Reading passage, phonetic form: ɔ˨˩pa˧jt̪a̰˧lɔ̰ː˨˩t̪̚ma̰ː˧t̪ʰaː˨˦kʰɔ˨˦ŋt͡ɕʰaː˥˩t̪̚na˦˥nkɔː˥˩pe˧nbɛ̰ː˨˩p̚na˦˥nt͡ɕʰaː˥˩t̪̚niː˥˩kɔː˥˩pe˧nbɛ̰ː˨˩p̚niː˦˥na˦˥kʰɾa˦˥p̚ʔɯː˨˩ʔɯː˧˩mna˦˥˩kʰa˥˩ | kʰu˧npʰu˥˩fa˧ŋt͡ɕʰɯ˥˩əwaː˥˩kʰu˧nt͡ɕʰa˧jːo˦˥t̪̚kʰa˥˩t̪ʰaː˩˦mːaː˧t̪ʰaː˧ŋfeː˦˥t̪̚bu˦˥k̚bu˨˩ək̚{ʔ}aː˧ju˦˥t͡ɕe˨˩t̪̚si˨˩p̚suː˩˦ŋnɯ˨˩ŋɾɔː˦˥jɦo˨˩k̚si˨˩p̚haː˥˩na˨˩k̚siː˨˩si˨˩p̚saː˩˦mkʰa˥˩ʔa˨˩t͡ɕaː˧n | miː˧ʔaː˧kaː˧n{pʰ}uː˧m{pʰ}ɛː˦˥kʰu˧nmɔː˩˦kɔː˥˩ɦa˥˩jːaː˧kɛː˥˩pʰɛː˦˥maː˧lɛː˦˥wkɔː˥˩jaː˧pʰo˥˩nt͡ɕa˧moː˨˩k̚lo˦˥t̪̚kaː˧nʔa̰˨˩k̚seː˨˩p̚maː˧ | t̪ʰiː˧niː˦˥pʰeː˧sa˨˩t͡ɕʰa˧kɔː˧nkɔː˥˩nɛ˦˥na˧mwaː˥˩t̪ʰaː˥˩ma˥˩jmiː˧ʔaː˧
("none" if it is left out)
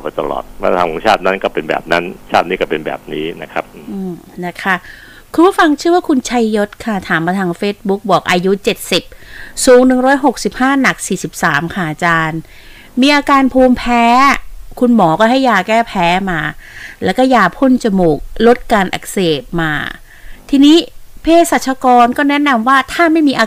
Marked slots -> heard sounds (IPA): ʔ, pʰ, pʰ

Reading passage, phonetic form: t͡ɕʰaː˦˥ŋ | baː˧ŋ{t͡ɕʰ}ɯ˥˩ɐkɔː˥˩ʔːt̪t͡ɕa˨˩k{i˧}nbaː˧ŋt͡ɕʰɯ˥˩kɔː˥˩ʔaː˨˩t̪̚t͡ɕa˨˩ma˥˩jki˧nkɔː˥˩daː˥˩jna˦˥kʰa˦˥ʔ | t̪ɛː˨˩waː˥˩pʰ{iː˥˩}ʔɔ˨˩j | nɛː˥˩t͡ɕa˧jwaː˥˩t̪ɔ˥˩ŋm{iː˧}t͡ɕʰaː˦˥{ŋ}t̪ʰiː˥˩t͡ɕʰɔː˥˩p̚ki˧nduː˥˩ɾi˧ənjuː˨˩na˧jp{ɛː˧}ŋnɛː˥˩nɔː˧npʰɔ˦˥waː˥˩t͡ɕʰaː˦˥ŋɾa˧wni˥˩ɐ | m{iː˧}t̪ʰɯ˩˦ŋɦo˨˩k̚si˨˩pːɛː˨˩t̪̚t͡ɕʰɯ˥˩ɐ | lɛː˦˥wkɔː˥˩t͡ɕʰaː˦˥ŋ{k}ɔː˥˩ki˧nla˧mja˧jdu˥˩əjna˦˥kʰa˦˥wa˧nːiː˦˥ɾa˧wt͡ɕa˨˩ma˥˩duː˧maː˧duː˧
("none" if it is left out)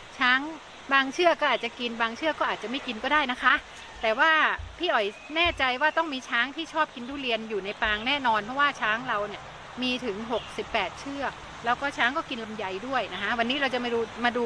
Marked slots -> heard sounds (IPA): t͡ɕʰ, i˧, iː˥˩, iː˧, ŋ, aː˧, iː˧, k

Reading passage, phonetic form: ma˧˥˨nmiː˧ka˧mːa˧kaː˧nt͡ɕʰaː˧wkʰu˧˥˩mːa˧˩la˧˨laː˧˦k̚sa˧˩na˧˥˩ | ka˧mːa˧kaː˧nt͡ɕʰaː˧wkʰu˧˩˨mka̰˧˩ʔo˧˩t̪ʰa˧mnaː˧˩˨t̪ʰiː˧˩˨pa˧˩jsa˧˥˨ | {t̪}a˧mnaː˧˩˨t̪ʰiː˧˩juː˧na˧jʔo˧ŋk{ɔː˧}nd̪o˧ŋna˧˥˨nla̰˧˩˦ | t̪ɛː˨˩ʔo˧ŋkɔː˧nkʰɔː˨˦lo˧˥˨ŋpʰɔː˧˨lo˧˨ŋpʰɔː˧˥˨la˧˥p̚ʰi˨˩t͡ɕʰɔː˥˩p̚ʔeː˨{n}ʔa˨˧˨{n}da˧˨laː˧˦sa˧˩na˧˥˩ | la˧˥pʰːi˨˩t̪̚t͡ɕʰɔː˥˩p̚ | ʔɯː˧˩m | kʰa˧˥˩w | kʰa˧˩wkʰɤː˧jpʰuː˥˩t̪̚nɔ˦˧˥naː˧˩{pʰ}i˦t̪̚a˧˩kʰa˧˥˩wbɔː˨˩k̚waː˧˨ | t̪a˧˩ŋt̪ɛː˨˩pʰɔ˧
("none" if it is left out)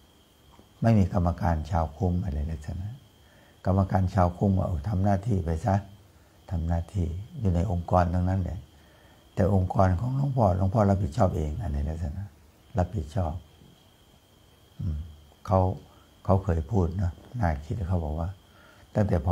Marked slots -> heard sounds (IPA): t̪ʰ, ɔː˧, ŋ, n, kʰ

